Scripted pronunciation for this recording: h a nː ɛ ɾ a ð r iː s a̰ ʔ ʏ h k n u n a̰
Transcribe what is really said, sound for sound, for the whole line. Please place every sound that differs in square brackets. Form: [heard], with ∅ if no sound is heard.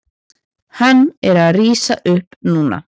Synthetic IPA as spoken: h a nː ɛ ɾ a ð r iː s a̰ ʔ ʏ h [p] n [uː] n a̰